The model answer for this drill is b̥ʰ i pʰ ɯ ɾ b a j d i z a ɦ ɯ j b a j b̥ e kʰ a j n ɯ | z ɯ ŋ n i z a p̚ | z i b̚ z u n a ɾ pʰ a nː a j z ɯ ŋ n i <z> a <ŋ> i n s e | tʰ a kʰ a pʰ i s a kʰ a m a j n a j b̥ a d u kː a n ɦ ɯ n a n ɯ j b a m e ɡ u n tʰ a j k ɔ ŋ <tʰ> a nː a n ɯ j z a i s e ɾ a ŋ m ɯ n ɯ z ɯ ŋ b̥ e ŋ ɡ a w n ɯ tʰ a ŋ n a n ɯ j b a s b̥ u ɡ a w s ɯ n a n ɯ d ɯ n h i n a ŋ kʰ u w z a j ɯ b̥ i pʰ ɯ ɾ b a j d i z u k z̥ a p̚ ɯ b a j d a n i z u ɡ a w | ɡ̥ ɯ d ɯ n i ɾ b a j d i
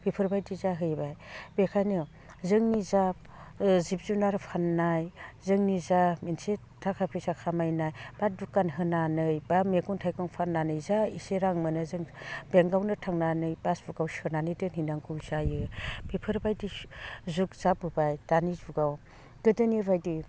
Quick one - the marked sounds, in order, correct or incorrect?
correct, incorrect: m, incorrect: pʰ

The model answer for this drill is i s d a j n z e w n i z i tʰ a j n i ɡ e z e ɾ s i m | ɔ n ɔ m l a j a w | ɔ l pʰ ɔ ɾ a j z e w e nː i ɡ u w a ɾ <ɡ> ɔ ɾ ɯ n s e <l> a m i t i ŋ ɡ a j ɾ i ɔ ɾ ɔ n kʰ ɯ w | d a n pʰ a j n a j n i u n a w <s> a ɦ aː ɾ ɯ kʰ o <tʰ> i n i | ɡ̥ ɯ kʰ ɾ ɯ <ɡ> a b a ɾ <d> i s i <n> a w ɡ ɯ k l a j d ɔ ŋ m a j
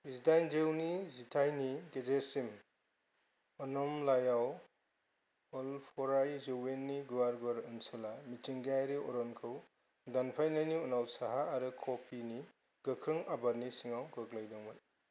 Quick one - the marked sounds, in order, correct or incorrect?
correct, correct, correct, incorrect: pʰ, incorrect: ŋ, incorrect: n, incorrect: ŋ

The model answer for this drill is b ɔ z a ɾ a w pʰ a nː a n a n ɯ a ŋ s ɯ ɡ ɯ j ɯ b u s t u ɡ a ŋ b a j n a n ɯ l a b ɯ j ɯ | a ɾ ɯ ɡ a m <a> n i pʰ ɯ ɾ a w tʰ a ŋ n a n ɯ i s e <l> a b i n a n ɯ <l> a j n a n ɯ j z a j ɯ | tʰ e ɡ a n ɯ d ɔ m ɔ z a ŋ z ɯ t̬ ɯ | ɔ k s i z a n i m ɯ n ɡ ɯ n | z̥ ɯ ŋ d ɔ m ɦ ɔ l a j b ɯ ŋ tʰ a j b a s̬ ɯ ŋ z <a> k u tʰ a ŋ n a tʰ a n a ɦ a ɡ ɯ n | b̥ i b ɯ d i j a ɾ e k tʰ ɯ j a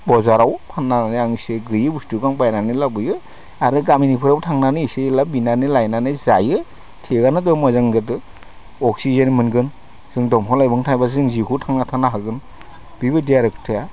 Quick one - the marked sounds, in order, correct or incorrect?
incorrect: i, correct, correct, incorrect: i

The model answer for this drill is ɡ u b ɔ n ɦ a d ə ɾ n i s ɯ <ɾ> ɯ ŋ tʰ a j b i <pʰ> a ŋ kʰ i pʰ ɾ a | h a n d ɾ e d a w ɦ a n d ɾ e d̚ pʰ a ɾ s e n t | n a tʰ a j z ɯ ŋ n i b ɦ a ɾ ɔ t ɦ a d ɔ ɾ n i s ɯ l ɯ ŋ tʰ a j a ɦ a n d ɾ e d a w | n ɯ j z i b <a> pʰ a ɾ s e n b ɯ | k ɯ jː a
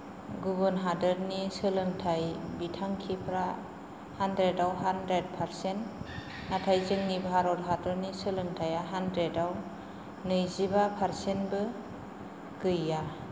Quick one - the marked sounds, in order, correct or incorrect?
incorrect: l, incorrect: tʰ, correct

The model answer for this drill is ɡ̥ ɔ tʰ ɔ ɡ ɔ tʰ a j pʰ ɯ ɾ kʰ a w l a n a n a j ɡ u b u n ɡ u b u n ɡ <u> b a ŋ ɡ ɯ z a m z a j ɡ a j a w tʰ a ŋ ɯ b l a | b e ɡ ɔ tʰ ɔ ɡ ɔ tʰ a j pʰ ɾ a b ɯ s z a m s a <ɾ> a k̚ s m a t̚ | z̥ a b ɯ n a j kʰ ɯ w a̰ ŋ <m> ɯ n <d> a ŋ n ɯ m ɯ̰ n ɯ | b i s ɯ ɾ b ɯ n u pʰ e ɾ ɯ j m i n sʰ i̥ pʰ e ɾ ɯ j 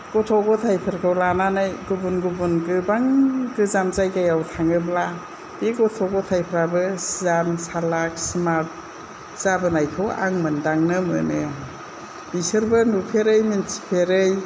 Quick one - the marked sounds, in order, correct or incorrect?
incorrect: ɯ, incorrect: l, correct, correct

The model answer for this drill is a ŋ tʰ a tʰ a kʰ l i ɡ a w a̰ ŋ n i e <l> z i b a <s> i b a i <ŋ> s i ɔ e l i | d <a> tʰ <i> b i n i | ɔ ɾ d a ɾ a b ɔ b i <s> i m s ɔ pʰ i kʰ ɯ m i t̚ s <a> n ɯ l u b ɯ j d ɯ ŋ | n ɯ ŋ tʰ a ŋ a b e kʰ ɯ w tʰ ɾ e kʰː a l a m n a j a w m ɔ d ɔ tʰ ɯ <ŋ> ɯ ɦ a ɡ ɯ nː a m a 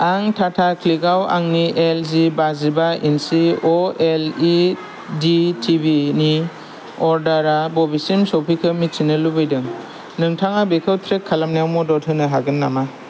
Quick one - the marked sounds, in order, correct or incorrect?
correct, incorrect: z, incorrect: n, incorrect: i, correct, correct, incorrect: i, incorrect: n

